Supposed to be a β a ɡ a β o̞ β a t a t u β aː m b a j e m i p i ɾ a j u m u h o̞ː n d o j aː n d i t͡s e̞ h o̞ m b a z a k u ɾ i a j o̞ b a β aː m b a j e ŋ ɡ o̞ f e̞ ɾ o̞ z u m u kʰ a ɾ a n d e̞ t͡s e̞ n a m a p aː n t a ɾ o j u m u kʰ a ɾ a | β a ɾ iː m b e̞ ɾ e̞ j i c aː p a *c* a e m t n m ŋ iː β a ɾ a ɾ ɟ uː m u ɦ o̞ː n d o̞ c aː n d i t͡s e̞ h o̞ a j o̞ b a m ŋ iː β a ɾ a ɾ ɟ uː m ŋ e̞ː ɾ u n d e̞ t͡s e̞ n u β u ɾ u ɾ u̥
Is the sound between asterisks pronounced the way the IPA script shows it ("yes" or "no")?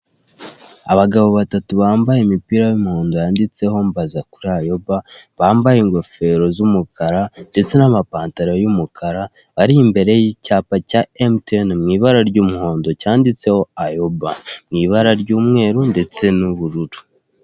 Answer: yes